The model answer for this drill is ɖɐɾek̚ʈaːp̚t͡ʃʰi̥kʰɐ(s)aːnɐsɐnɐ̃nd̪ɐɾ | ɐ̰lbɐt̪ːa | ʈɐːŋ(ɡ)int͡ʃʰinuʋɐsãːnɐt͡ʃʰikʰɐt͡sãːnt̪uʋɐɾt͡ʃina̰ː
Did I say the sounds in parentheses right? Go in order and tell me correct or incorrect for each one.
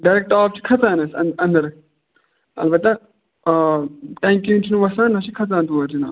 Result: incorrect: t͡s, incorrect: k

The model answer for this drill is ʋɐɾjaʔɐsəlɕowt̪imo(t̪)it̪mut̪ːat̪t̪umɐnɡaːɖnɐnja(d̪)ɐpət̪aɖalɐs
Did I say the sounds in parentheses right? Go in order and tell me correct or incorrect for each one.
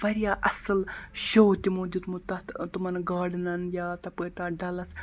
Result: incorrect: d̪, incorrect: t̪

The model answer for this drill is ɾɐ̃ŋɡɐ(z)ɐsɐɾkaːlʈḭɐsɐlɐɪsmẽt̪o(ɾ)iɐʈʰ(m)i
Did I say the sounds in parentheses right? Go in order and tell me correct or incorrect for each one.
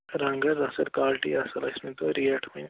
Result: correct, correct, correct

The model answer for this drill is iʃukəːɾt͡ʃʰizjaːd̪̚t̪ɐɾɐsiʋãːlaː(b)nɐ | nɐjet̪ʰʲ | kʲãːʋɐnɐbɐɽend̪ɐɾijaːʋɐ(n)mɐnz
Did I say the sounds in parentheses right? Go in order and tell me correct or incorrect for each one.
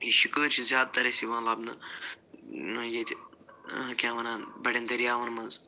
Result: correct, correct

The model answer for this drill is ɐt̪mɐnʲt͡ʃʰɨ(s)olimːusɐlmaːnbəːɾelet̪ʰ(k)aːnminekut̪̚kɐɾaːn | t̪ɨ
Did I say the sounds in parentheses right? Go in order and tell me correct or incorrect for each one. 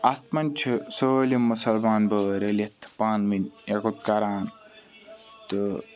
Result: correct, incorrect: p

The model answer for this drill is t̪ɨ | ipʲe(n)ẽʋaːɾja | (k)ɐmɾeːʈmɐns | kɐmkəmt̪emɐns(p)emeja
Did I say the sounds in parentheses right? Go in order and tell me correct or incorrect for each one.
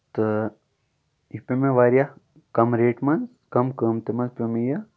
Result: incorrect: m, correct, correct

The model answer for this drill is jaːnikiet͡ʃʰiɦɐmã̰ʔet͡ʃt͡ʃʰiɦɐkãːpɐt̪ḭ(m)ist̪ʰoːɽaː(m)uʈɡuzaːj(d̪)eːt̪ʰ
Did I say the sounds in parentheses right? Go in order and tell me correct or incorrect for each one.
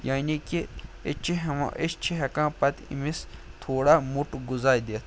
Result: correct, correct, correct

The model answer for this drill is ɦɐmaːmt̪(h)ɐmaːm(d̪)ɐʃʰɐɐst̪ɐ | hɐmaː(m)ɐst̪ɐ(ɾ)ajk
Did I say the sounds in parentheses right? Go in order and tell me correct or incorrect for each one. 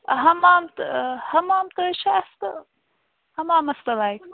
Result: correct, incorrect: t̪, correct, incorrect: l

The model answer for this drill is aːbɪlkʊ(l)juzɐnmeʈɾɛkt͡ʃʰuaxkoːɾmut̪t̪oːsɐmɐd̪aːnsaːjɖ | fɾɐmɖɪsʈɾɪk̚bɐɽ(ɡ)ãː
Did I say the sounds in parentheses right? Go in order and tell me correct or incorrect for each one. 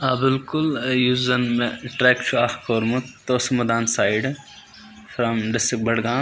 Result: correct, correct

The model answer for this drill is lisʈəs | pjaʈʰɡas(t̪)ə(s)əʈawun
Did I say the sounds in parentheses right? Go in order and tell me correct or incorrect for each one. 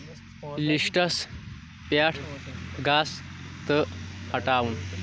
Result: correct, incorrect: h

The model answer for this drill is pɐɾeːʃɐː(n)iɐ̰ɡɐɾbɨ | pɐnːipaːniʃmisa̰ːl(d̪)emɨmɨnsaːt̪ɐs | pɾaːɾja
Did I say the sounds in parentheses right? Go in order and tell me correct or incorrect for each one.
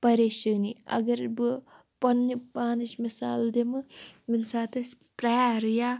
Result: correct, correct

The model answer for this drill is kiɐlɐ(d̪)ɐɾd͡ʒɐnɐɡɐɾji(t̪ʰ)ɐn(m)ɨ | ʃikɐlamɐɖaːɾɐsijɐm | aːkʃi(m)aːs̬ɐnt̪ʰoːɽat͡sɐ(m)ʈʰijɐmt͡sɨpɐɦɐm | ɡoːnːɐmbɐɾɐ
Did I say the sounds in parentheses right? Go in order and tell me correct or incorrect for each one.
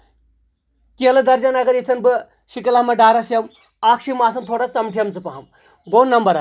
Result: correct, correct, incorrect: b, correct, correct

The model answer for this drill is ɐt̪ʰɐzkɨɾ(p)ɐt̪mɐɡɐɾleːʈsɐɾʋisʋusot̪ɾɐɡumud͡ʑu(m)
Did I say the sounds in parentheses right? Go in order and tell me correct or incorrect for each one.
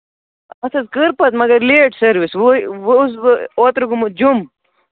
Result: correct, correct

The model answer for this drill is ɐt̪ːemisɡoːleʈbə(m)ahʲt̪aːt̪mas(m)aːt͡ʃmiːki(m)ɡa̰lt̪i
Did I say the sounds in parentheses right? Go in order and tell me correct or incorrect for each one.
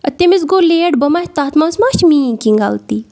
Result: correct, correct, incorrect: ŋ

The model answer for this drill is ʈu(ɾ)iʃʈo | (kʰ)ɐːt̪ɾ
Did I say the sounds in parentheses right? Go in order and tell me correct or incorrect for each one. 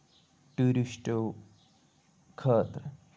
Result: correct, correct

